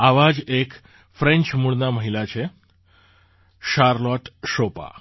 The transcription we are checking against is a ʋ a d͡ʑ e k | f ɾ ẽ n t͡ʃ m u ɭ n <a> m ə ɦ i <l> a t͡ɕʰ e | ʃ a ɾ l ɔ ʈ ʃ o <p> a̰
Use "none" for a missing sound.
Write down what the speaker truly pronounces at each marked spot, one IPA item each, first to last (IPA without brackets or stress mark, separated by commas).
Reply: a, l, p